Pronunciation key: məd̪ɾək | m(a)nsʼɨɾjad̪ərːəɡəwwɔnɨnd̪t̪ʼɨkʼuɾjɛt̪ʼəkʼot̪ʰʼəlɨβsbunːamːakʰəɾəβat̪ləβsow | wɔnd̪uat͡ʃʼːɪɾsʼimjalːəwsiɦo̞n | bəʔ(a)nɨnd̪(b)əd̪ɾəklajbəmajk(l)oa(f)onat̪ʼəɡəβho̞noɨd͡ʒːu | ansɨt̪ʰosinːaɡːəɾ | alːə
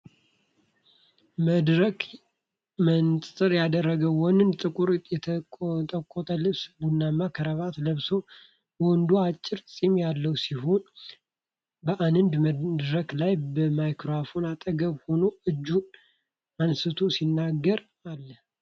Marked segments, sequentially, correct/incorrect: incorrect: ə, correct, incorrect: m, incorrect: ɾ, correct

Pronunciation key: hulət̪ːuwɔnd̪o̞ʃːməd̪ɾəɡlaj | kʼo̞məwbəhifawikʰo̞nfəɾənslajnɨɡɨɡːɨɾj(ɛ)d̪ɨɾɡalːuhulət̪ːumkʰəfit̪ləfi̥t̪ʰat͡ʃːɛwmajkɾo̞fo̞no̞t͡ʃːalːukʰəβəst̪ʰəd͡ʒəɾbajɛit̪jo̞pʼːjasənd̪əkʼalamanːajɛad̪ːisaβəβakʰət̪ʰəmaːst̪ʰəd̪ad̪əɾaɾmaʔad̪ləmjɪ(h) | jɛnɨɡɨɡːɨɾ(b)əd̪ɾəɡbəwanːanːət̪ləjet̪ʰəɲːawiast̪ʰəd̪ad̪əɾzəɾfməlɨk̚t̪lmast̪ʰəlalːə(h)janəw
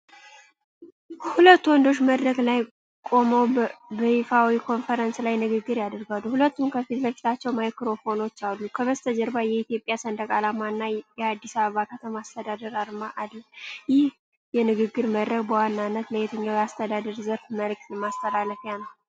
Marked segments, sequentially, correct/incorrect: incorrect: a, correct, incorrect: m, incorrect: f

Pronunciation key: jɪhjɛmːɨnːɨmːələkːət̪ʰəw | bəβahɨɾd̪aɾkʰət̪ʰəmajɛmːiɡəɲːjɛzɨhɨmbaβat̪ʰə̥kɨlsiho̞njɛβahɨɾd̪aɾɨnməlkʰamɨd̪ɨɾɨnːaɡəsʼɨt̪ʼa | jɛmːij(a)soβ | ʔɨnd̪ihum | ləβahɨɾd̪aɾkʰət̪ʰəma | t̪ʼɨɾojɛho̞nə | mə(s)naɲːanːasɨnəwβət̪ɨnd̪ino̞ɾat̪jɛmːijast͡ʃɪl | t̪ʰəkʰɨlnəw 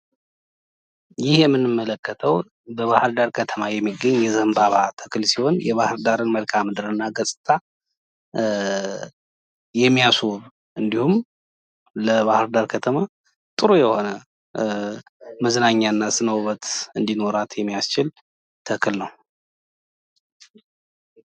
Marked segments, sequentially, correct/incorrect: correct, incorrect: z

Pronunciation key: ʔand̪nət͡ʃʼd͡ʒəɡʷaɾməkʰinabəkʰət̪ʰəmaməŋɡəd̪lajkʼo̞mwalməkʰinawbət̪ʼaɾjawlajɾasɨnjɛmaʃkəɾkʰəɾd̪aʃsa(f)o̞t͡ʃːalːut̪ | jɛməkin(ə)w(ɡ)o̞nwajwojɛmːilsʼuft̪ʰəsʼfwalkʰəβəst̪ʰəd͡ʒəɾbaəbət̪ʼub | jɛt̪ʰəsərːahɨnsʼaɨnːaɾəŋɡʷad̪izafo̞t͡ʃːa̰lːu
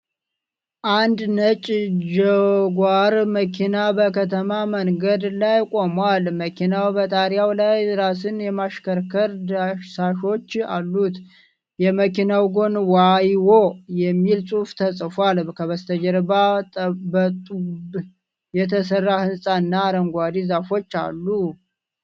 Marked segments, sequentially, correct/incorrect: incorrect: ʃ, incorrect: a, correct

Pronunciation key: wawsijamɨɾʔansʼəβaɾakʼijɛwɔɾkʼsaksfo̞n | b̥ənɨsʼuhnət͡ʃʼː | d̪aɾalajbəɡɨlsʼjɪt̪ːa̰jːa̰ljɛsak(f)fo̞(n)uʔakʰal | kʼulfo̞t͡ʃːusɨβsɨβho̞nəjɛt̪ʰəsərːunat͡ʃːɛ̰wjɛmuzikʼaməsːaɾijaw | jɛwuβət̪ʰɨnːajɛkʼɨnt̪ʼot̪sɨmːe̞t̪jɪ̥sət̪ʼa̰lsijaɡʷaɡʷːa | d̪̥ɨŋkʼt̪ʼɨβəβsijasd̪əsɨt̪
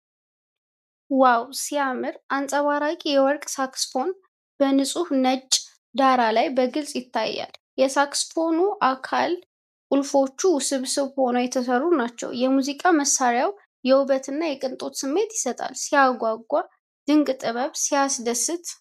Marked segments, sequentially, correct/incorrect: incorrect: s, correct

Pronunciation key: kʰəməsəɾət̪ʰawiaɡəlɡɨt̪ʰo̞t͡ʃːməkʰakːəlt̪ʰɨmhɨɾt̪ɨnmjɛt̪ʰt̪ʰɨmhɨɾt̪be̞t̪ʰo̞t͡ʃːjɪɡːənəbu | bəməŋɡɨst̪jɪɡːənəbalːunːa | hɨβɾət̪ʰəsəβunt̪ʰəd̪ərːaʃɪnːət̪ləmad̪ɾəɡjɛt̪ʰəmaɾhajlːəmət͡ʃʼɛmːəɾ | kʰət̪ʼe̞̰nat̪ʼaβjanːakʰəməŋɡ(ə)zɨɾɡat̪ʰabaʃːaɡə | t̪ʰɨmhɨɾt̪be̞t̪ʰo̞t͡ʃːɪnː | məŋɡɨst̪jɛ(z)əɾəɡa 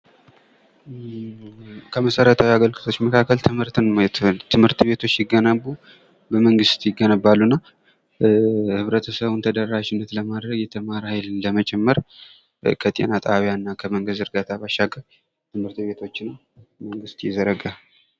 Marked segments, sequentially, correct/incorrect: correct, correct

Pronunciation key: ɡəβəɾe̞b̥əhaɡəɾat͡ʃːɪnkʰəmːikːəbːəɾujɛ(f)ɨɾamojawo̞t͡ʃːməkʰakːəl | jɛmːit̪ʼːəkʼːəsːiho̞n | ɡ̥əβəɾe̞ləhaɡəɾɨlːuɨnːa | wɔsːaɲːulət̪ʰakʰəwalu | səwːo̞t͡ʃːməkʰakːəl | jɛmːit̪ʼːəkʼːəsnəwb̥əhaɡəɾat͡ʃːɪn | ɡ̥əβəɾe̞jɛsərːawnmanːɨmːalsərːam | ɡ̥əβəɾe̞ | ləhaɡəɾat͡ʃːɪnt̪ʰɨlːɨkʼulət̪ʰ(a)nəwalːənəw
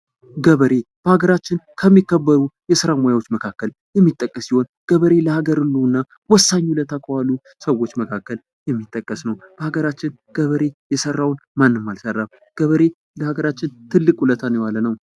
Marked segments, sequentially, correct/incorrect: incorrect: s, correct

